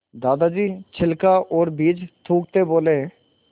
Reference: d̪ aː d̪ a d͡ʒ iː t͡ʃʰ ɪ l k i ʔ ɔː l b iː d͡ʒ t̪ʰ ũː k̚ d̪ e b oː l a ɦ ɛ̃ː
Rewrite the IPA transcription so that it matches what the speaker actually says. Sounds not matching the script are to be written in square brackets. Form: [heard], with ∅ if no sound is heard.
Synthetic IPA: d̪ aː d̪ a d͡ʒ iː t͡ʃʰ ɪ l k [a] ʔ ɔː [ɾ] b iː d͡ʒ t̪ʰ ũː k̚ [t̪] e b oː l [e] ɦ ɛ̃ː